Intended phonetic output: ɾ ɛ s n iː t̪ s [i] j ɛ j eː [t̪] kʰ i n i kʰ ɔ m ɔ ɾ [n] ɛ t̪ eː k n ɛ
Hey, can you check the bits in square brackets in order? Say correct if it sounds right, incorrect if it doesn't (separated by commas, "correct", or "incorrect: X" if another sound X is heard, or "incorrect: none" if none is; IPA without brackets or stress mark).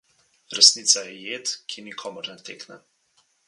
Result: incorrect: a, correct, correct